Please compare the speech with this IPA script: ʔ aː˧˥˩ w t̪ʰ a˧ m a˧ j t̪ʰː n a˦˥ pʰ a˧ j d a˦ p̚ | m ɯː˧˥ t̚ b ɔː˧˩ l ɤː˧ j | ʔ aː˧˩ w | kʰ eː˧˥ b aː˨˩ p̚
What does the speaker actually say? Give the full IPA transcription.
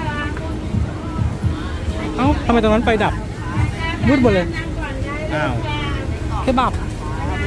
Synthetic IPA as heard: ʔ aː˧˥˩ w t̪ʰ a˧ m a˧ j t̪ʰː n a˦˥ p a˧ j d a˨˩ p̚ | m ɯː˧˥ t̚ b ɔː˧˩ l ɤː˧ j | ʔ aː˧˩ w | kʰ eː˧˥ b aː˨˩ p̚

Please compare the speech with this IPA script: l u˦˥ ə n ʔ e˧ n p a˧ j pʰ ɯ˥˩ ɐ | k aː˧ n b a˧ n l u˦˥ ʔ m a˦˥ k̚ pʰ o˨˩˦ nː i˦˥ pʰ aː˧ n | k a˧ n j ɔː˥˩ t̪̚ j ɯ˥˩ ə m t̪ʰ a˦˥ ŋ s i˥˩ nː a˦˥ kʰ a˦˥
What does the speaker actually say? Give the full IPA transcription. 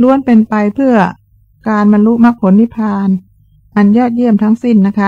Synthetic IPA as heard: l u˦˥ ə n p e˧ n p a˧ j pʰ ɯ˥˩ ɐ | k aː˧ n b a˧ n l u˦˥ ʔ m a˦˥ k̚ pʰ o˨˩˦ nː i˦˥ pʰ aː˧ n | ʔ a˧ n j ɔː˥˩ t̪̚ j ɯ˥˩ ə m t̪ʰ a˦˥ ŋ s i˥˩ nː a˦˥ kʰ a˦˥

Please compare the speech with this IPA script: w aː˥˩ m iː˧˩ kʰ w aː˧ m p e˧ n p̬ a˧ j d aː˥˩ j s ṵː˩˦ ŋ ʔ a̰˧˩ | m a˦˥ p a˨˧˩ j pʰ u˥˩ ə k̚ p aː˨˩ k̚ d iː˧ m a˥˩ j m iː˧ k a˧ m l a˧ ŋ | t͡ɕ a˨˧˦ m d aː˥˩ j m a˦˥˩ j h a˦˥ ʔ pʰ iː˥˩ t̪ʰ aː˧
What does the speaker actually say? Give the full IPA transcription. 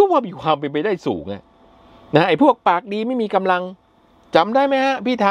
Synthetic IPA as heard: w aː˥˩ m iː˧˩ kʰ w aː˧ m p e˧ n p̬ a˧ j d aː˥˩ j s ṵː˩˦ ŋ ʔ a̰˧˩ | n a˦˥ ʔ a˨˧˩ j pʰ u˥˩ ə k̚ p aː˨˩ k̚ d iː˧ m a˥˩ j m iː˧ k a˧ m l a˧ ŋ | t͡ɕ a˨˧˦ m d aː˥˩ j m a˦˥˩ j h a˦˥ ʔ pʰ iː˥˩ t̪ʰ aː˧

